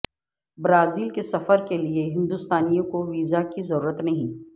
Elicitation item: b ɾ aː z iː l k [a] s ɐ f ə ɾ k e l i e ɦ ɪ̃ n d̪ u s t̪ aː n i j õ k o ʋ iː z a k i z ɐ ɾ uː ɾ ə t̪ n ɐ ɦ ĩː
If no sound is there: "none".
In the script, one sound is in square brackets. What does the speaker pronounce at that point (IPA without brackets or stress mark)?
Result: e